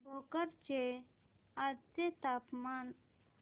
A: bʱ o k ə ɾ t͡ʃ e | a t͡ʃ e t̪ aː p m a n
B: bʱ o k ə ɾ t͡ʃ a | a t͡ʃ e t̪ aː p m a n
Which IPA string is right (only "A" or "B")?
A